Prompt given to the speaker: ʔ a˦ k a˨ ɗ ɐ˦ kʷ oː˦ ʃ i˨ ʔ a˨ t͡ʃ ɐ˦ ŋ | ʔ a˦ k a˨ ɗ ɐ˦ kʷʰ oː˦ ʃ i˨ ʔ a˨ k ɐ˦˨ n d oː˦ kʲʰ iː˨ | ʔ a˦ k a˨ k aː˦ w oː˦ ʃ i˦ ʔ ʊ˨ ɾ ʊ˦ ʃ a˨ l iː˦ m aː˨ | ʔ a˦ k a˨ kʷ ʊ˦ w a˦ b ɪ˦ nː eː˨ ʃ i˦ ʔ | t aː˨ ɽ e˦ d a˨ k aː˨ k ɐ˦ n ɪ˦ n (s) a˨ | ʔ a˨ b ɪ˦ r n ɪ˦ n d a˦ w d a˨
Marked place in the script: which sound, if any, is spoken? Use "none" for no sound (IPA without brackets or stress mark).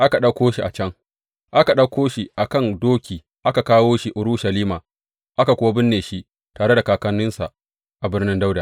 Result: s